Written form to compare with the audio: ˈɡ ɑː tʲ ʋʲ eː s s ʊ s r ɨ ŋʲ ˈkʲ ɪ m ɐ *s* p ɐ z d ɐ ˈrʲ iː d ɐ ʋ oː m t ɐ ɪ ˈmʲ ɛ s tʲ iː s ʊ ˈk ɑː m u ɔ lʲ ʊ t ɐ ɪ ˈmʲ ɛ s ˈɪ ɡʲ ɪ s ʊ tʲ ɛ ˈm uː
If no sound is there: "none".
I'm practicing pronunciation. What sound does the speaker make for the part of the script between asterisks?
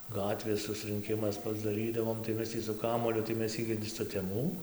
s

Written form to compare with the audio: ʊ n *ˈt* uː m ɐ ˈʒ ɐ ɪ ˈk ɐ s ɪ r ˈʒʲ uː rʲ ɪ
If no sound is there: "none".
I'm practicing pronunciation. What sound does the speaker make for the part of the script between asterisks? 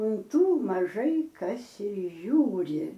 t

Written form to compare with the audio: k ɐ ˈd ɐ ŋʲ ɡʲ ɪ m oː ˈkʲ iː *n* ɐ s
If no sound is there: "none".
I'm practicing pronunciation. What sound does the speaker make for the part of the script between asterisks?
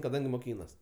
n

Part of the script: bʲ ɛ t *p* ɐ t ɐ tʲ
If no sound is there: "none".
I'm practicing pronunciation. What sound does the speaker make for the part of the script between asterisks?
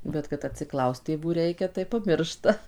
k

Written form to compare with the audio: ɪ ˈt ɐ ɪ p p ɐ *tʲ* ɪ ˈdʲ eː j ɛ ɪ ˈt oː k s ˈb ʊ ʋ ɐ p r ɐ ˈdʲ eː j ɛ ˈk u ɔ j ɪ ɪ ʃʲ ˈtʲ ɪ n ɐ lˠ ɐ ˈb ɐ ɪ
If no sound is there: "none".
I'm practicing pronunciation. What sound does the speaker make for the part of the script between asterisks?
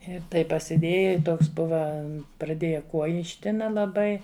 sʲ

